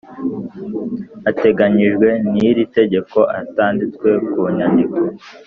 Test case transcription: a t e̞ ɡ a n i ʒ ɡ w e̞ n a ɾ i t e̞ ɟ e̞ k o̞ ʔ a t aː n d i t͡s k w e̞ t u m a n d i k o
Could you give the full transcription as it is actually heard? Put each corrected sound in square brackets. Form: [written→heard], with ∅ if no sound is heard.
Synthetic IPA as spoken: a t e̞ ɡ a [n→ɲ] i ʒ ɡ w e̞ n [a→i] ɾ i t e̞ ɟ e̞ k o̞ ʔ a t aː n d i t͡s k w e̞ [t→k] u [m→ɲ] a n d i k o